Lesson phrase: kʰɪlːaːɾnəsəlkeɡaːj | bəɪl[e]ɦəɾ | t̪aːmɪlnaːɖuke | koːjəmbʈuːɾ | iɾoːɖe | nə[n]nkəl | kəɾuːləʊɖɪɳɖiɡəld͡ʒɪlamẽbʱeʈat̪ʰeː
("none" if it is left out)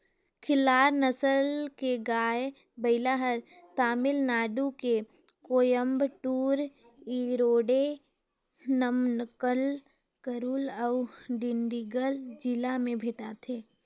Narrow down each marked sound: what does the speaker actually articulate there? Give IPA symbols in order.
a, m

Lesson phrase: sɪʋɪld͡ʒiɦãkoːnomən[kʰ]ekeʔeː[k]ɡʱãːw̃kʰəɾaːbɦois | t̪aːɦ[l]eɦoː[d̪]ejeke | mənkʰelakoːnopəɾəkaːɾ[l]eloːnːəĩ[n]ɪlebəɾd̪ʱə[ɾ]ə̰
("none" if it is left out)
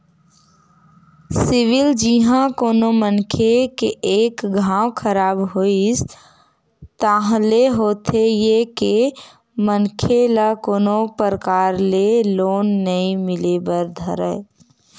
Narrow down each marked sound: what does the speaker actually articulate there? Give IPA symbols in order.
kʰ, k, l, t̪, l, m, ɾ

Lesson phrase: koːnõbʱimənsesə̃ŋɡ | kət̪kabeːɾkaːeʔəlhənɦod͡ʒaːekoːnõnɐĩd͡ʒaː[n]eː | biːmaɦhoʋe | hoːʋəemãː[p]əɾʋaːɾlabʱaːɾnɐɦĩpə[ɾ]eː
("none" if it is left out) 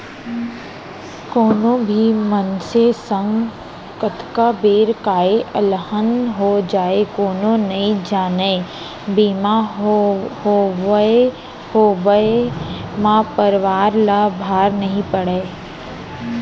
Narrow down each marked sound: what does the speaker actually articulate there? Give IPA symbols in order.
n, p, ɽ

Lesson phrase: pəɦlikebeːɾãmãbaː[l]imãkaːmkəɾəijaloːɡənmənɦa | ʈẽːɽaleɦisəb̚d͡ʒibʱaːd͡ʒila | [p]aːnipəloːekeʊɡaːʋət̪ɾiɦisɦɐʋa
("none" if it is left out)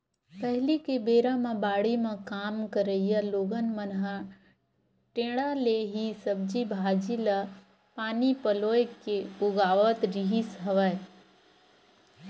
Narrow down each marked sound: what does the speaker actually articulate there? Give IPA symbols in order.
ɽ, p

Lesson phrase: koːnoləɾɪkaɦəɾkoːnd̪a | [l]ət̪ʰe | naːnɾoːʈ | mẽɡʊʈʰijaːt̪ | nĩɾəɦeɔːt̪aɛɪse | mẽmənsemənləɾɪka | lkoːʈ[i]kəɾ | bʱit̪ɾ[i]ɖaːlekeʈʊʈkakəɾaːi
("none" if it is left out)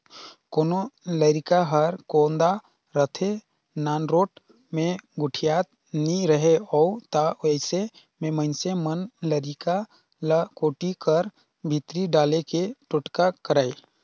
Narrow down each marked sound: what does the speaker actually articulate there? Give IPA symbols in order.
ɾ, i, i

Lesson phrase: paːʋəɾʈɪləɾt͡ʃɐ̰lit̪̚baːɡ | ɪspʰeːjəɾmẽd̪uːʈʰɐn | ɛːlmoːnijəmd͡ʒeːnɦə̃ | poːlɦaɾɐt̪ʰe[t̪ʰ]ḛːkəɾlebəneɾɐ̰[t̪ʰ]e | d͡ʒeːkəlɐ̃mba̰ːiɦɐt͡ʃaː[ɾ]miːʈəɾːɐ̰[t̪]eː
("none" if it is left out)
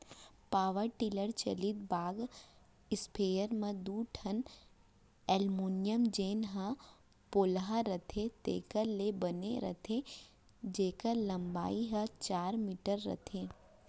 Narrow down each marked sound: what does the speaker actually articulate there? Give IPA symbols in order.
t̪, t̪ʰ, ɾ, t̪ʰ

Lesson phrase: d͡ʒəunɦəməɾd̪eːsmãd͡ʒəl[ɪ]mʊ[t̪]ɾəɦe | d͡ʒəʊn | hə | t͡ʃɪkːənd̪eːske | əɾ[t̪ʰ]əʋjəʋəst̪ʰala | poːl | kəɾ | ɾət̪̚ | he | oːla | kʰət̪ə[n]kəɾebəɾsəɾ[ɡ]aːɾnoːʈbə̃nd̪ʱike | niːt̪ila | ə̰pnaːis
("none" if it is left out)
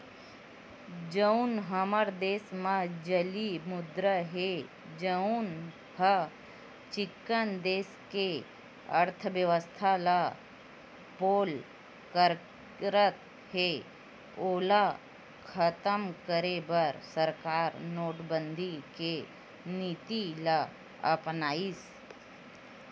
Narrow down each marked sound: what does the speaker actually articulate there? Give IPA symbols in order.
i, d̪, t̪ʰ, m, k

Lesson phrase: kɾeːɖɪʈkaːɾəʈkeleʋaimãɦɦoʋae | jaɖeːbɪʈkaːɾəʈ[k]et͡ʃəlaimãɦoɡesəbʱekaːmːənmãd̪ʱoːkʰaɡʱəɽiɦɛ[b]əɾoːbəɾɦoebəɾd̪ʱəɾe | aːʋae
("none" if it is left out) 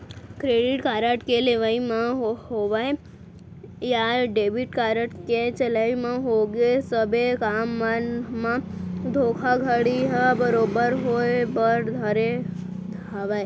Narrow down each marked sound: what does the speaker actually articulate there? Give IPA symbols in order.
k, b

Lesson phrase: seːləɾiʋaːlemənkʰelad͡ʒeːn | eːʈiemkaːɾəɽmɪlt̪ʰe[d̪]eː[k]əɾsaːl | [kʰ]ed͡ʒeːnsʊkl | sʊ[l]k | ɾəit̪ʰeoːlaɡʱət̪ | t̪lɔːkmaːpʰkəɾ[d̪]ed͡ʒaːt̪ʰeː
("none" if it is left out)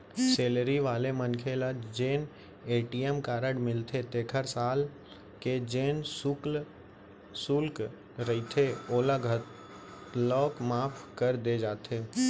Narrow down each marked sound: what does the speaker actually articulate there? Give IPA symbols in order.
t̪, kʰ, k, l, d̪

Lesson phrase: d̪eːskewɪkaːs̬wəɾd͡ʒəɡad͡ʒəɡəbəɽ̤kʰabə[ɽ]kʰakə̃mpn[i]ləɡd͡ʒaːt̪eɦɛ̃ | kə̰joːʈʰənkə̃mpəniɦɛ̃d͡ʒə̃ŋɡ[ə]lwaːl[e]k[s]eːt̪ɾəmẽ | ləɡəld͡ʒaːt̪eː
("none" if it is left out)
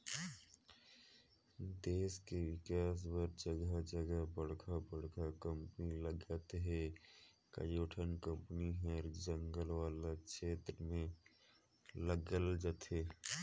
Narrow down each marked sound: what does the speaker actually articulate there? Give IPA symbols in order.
ɽ, i, ə, a, ʃ

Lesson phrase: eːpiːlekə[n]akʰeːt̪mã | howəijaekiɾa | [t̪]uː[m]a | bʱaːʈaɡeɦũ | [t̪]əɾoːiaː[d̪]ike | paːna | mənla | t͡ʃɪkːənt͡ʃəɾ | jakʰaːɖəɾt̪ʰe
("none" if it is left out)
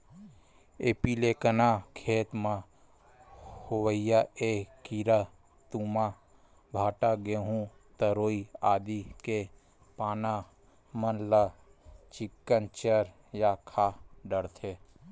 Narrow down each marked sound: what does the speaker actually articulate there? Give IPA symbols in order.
n, t̪, m, t̪, d̪

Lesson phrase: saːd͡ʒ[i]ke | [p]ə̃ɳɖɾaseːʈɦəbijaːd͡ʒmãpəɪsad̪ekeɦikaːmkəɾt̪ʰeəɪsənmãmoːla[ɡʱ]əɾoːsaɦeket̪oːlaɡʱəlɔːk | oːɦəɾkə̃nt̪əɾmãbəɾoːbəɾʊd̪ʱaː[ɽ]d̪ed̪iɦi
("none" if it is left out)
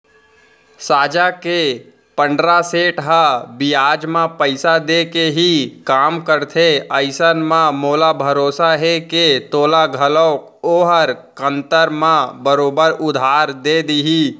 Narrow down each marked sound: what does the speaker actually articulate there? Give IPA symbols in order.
a, p, bʱ, ɾ

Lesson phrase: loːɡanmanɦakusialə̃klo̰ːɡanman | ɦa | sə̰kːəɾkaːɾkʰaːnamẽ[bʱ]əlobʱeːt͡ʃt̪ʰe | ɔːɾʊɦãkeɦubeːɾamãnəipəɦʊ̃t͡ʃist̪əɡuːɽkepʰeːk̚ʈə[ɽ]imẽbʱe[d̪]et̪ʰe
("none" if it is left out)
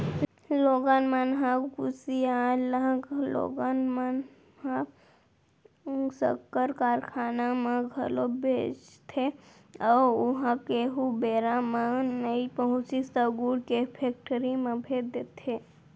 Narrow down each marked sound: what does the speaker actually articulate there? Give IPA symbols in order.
ɡʱ, ɾ, d̪

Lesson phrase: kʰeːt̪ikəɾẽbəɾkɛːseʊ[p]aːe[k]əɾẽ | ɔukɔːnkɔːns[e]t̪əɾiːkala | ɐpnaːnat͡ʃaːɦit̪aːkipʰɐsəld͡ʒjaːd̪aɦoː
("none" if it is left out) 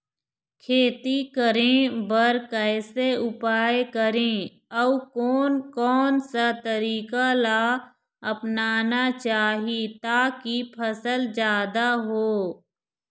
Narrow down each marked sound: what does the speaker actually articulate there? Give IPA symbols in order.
p, k, a

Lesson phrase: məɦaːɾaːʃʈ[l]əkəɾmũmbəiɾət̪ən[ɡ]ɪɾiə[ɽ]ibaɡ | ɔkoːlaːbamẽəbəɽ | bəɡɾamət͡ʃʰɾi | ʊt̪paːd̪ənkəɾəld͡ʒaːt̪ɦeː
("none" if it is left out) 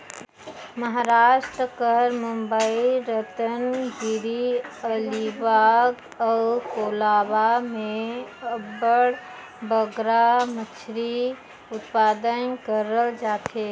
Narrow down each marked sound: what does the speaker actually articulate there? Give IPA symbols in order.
ɾ, ɡ, l

